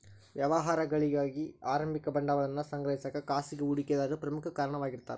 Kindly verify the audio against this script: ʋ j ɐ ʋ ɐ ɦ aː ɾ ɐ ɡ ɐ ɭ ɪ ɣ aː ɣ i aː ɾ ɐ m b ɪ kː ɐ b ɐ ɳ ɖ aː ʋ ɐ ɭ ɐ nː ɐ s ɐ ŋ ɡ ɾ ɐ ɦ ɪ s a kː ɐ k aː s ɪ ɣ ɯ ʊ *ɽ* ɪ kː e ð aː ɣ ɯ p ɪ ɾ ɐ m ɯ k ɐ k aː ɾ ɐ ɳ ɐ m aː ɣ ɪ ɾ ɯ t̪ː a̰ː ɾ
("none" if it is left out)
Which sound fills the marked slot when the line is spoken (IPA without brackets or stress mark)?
ɽ